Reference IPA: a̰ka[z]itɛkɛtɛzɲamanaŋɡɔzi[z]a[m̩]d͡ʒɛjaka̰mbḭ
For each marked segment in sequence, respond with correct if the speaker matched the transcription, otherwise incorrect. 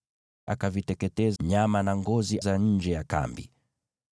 incorrect: v, correct, incorrect: ɲ̩

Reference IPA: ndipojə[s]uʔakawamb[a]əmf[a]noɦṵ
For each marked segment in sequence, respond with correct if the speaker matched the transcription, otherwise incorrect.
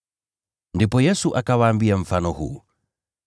correct, incorrect: i, correct

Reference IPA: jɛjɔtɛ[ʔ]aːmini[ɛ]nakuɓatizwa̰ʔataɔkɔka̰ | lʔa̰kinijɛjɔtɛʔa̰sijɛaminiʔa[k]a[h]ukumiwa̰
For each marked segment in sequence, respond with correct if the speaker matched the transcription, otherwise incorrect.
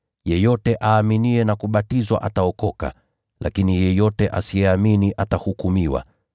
correct, correct, incorrect: t, correct

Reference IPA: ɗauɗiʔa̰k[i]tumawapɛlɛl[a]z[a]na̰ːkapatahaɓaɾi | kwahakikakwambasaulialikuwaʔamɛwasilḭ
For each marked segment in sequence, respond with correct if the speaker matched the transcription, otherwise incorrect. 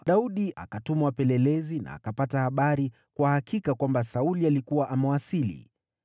incorrect: a, incorrect: ɛ, incorrect: i

